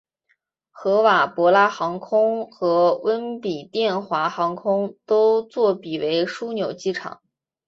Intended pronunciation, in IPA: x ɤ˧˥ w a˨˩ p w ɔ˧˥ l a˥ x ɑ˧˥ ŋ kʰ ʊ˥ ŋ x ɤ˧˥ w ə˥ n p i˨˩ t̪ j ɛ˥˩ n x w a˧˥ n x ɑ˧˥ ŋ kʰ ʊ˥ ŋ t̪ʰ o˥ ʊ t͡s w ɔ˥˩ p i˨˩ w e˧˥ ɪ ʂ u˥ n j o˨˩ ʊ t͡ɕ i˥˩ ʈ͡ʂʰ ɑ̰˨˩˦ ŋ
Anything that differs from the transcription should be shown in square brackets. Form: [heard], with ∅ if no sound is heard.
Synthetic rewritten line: x ɤ˧˥ w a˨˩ p w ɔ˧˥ l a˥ x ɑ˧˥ ŋ kʰ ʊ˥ ŋ x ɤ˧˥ w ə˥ n p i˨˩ t̪ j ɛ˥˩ n x w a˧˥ [∅] x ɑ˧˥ ŋ kʰ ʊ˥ ŋ [t̪] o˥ ʊ t͡s w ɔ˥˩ p i˨˩ w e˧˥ ɪ ʂ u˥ n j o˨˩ ʊ t͡ɕ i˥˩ ʈ͡ʂʰ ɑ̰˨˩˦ ŋ